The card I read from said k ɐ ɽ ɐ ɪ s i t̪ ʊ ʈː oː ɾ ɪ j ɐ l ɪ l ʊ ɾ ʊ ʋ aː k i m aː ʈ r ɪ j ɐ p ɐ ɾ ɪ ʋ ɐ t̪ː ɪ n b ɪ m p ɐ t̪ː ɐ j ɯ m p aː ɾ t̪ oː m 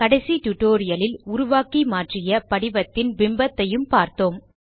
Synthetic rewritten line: k ɐ ɽ ɐ ɪ s i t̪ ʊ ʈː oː ɾ ɪ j ɐ l ɪ l ʊ ɾ ʊ ʋ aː k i m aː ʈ r ɪ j ɐ p ɐ ɽ ɪ ʋ ɐ t̪ː ɪ n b ɪ m b ɐ t̪ː ɐ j ɯ m p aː ɾ t̪ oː m